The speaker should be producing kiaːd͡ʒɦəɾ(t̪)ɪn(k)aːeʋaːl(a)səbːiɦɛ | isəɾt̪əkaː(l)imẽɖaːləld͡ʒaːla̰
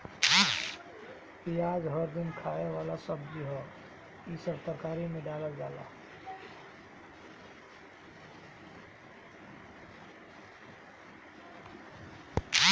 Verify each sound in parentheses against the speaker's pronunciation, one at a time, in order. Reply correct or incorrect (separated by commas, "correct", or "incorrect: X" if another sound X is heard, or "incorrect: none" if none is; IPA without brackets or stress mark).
incorrect: d̪, incorrect: kʰ, correct, incorrect: ɾ